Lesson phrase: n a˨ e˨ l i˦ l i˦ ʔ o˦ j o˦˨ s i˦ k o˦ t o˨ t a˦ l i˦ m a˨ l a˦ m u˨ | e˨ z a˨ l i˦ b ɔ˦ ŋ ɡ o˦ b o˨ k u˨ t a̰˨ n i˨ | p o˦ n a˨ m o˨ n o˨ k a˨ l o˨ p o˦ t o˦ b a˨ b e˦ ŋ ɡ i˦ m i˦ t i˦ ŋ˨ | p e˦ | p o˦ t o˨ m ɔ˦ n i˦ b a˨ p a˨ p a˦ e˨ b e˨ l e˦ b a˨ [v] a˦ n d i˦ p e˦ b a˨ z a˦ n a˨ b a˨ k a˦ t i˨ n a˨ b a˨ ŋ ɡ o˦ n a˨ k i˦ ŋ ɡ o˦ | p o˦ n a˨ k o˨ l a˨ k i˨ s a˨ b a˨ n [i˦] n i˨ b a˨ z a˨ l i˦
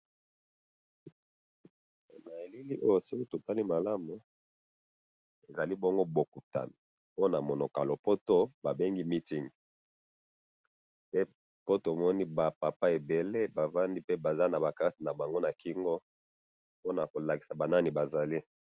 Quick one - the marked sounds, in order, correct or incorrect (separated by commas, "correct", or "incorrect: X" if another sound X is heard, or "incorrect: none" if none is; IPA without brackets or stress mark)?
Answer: correct, incorrect: a˦